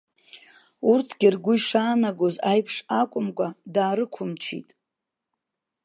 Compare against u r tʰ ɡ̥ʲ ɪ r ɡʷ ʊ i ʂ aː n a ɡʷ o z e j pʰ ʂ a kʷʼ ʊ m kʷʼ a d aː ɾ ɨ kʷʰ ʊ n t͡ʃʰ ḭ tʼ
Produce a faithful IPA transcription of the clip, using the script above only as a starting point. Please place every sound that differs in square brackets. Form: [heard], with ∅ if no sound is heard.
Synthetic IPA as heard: u r tʰ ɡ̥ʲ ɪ r ɡʷ ʊ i ʂ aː n a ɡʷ o z [a] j pʰ ʂ a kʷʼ ʊ m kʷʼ a d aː ɾ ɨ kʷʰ ʊ [m] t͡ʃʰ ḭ tʼ